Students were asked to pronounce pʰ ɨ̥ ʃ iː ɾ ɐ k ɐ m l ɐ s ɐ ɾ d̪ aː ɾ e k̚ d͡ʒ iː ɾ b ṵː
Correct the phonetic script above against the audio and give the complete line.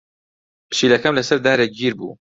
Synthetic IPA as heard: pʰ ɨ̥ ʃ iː l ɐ k ɐ m l ɐ s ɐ ɾ d̪ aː ɾ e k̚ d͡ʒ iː ɾ b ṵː